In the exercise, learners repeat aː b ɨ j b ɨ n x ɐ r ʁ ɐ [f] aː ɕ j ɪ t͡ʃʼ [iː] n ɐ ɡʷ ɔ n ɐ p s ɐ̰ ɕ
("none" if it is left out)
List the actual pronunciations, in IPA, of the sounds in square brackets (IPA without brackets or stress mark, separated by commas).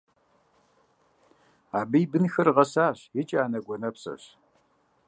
s, aː